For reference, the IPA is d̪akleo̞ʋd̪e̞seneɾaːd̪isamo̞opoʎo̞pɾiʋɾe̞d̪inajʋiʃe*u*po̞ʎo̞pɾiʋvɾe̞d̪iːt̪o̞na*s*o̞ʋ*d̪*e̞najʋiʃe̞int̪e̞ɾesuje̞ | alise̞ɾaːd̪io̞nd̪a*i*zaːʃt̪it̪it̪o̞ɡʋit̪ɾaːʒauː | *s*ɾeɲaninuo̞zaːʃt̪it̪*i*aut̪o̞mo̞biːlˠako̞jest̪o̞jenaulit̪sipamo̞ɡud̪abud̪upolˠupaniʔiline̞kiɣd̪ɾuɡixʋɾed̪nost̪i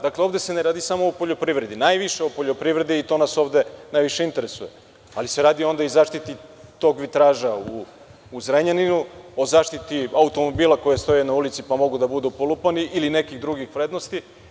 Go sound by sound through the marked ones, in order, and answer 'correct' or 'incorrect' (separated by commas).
incorrect, correct, correct, correct, incorrect, correct